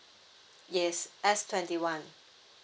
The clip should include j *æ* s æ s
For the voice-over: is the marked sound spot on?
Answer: no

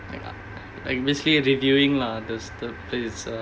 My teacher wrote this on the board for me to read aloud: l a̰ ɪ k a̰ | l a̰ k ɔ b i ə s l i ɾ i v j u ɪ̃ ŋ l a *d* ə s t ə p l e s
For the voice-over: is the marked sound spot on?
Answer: yes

